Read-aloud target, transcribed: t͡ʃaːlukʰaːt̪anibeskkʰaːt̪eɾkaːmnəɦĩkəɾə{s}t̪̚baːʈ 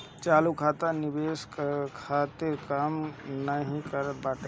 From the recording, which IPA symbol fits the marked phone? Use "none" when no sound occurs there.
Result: none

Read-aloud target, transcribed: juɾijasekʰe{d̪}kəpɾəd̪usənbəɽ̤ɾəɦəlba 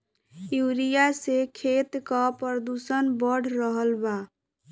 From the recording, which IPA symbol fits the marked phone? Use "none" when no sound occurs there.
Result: t̪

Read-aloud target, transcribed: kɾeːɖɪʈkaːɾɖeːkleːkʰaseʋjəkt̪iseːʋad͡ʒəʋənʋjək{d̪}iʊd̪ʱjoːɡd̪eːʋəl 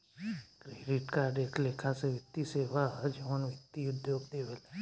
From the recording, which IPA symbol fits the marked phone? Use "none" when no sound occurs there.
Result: t̪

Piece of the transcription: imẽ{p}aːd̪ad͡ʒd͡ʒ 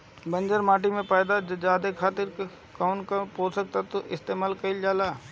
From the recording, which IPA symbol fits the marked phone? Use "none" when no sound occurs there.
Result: p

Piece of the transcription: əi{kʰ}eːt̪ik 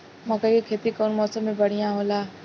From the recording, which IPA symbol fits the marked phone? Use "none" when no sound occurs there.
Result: kʰ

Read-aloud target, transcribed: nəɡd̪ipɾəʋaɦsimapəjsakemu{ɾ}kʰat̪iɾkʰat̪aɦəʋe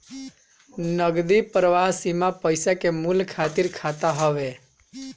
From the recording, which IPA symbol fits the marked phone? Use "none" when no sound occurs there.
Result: l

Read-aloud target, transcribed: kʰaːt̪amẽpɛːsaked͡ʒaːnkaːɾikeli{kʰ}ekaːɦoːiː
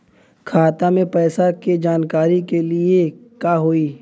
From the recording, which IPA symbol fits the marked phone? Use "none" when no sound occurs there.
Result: none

